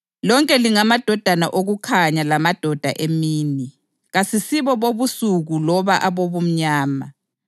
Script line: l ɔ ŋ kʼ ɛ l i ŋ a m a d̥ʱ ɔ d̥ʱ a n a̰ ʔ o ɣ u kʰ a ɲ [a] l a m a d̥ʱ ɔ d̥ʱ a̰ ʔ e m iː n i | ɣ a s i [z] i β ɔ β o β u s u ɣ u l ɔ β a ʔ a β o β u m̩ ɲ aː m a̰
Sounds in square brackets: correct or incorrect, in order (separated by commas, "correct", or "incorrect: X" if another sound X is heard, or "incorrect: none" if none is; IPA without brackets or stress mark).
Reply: correct, incorrect: s